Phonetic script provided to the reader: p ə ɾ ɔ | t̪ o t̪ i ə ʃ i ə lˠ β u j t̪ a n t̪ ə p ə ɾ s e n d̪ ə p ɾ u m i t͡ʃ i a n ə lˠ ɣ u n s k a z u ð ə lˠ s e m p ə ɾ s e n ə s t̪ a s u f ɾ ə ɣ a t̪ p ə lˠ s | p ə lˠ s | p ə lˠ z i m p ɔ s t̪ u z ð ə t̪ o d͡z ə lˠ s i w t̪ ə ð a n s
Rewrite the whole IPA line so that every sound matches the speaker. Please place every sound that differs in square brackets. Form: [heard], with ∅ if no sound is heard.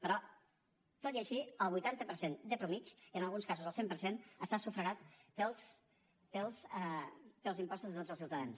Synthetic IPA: p ə ɾ ɔ | t̪ o t̪ i ə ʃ i ə lˠ β u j t̪ a n t̪ ə p ə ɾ s e n d̪ ə p ɾ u m i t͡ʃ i [ə] n ə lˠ ɣ u n s k a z u [z] ə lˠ s e m p ə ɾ s e n ə s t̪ a s u f ɾ ə ɣ a t̪ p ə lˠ s | p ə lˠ s | p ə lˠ z i m p ɔ s t̪ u z ð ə t̪ o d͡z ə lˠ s i w t̪ ə ð a n s